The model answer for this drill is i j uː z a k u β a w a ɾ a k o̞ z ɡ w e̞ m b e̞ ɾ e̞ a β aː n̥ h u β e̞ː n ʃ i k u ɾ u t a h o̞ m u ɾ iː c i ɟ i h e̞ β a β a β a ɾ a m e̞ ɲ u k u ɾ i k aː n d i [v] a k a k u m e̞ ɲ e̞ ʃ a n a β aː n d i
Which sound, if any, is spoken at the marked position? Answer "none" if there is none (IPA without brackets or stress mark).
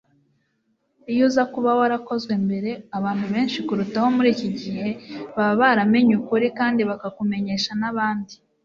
β